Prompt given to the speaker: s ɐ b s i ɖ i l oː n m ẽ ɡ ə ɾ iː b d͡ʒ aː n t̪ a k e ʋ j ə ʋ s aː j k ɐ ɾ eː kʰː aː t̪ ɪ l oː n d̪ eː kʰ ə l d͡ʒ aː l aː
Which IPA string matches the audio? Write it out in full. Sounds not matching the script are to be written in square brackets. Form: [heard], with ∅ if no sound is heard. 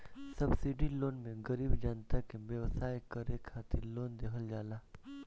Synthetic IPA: s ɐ b s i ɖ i l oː n m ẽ ɡ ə ɾ iː b d͡ʒ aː n t̪ a k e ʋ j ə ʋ s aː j k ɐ ɾ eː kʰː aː t̪ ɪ l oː n d̪ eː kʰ ə l d͡ʒ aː l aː